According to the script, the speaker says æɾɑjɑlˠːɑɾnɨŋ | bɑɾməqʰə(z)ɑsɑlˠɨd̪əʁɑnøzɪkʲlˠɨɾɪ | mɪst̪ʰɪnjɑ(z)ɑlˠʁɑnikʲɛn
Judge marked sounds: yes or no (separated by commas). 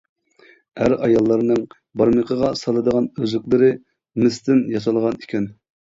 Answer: no, no